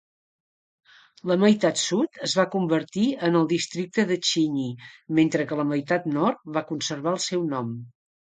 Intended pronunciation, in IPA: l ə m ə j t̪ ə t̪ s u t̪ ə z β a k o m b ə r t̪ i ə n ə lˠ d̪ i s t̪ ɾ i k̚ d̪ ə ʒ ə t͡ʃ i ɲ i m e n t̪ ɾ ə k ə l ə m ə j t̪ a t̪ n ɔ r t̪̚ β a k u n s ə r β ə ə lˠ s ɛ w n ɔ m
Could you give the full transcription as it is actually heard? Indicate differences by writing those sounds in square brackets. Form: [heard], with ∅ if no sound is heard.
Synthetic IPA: l ə m ə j t̪ [a] t̪ s u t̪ ə z β a k [u] m b ə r t̪ i ə n ə lˠ d̪ i s t̪ ɾ i k̚ [t̪] ə [ð] ə t͡ʃ i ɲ i m e n t̪ ɾ ə k ə l ə m ə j t̪ a t̪ n ɔ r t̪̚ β a k u n s ə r β [a] ə lˠ s ɛ w n ɔ m